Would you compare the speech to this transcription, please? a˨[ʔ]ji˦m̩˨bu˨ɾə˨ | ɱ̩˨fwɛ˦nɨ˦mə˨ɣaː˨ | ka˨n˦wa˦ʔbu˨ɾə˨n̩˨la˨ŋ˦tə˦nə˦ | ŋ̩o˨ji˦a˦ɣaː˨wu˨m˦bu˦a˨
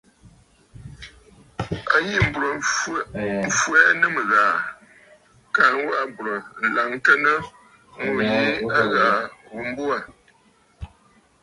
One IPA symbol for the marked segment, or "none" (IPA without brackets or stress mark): none